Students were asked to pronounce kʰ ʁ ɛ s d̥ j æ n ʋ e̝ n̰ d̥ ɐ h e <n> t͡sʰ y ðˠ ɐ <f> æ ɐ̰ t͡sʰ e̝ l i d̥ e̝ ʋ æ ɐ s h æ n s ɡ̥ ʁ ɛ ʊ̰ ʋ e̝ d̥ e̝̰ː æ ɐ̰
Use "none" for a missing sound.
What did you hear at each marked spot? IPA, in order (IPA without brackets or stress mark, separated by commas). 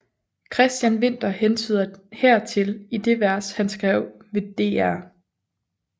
n, h